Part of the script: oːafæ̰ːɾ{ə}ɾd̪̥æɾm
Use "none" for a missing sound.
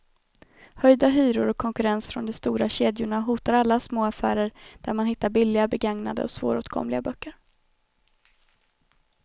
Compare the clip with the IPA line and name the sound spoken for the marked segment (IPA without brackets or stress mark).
ə